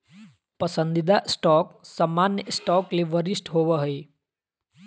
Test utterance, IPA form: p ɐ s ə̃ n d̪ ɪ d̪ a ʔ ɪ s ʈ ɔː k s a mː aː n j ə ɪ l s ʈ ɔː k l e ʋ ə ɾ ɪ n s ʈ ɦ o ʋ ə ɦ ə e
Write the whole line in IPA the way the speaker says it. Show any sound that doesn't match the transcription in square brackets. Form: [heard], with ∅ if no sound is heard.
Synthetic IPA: p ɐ s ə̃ n d̪ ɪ d̪ a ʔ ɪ s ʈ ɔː k s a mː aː n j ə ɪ [∅] s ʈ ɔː k l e ʋ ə ɾ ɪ [∅] s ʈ ɦ o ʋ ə ɦ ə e